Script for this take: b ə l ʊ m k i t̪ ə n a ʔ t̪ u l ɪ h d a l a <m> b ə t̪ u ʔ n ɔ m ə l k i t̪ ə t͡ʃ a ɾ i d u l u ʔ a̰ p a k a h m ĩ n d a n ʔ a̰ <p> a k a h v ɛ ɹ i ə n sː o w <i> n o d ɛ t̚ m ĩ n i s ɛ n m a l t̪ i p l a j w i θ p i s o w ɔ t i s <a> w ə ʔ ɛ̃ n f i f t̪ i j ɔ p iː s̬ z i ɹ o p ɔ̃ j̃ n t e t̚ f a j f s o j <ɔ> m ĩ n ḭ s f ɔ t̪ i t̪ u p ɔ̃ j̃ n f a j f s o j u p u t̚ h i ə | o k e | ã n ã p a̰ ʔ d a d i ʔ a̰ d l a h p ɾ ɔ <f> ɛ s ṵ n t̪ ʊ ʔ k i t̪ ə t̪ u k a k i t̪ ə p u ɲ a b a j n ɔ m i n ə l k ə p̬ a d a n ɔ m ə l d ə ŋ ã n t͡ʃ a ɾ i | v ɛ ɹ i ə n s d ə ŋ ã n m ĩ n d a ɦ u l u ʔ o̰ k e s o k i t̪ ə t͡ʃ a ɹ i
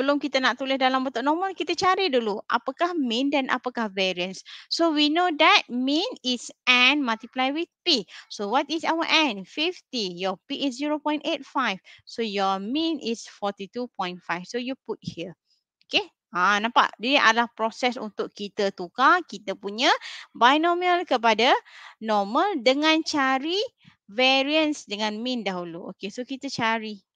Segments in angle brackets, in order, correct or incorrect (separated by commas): correct, correct, correct, correct, correct, incorrect